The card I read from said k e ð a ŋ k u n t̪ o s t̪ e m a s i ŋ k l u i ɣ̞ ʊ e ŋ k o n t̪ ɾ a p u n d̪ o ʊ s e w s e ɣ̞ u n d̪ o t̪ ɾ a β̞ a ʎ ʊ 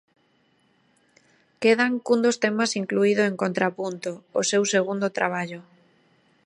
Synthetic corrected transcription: k e ð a ŋ k u n d̪ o s t̪ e m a s i ŋ k l u i ð̞ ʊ e ŋ k o n t̪ ɾ a p u n t̪ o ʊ s e w s e ɣ̞ u n d̪ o t̪ ɾ a β̞ a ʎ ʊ